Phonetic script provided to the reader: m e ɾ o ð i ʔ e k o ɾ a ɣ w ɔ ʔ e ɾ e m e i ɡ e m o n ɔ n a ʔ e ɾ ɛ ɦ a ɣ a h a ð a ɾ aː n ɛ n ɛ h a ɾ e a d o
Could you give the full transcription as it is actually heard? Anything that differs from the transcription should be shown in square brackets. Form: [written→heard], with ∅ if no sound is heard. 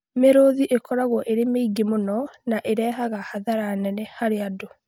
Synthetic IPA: m e ɾ o ð i ʔ e k [o→ɔ] ɾ a ɣ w ɔ ʔ e ɾ e m e i ɡ e m o n ɔ n a ʔ e ɾ ɛ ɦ a ɣ a h a ð a ɾ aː n ɛ n ɛ h a ɾ e a d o